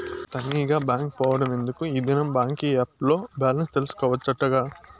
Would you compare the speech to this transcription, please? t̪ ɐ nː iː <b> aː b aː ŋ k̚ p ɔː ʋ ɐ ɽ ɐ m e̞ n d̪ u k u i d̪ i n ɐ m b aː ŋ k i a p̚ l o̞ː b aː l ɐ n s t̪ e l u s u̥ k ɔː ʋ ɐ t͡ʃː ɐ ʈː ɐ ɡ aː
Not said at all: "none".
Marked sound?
ɡ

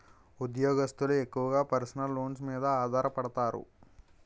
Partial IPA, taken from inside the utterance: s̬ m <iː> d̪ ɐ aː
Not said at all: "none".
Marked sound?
iː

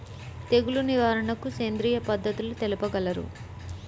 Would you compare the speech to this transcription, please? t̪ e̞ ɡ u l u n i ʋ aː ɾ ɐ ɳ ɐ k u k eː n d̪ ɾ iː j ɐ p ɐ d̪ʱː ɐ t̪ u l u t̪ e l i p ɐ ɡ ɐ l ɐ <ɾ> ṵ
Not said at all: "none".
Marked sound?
ɾ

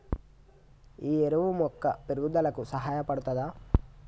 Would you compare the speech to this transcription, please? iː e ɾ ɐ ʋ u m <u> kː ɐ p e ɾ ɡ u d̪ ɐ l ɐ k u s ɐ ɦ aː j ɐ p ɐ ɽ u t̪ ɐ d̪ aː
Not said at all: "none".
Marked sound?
ɔ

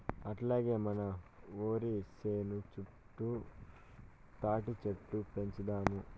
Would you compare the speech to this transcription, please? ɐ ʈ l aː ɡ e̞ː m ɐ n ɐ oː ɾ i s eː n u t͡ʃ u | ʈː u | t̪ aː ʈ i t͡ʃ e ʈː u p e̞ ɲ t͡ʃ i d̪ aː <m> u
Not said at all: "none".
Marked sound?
m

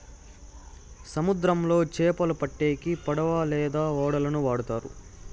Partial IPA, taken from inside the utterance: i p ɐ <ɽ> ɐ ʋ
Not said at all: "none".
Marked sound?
ɽ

